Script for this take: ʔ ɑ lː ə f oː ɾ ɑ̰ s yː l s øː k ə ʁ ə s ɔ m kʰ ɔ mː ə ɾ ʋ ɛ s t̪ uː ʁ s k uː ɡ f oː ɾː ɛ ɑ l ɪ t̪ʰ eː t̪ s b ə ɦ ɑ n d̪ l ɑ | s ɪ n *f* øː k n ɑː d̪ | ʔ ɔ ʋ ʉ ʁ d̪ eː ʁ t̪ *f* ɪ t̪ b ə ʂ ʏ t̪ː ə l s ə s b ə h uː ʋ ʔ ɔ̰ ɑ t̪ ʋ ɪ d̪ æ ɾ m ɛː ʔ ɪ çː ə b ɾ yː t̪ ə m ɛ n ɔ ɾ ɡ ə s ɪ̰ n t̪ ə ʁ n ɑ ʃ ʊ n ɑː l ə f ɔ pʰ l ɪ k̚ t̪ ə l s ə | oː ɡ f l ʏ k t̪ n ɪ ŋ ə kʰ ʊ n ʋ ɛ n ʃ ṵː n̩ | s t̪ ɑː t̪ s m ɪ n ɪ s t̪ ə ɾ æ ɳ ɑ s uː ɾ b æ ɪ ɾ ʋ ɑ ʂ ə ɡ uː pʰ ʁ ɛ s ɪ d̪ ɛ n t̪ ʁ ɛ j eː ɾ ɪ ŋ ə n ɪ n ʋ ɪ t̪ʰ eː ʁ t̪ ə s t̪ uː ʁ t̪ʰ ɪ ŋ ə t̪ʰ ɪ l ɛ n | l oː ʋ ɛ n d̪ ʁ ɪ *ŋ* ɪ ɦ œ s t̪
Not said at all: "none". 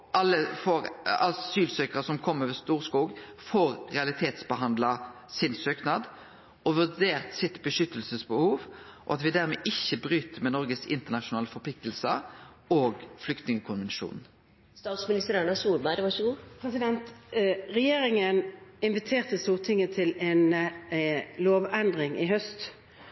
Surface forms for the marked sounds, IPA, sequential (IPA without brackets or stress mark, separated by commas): s, s, ŋ